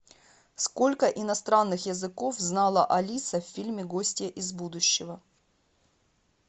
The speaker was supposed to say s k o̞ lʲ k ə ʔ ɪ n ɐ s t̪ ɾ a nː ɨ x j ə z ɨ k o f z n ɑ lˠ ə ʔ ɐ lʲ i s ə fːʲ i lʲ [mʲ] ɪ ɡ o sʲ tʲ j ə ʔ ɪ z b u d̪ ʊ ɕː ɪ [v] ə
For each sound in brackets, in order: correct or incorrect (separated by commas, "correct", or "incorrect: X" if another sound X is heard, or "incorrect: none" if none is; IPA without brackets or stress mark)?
correct, correct